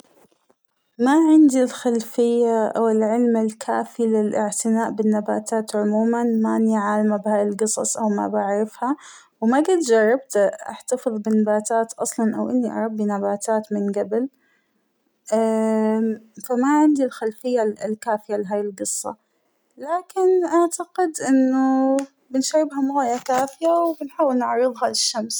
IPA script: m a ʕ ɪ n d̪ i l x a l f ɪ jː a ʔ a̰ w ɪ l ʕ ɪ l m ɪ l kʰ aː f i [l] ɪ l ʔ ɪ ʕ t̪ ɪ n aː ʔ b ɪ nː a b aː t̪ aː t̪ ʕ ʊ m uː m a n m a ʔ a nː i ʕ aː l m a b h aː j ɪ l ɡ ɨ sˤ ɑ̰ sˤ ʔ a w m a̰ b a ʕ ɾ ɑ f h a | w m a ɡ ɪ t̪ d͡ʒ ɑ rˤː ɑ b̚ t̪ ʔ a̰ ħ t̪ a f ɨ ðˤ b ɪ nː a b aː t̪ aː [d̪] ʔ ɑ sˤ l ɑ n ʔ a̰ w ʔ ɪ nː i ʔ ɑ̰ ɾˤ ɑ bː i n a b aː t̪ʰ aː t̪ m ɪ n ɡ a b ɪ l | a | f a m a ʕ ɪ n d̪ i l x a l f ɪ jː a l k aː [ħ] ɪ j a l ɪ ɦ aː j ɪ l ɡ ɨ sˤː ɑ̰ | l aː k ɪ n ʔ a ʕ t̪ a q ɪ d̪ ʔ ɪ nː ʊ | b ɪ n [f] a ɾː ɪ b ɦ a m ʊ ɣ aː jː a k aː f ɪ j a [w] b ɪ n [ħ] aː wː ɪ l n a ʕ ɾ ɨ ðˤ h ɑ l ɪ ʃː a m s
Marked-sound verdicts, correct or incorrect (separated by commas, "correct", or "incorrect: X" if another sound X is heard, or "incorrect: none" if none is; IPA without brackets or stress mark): correct, incorrect: t̪, incorrect: f, incorrect: ʃ, correct, correct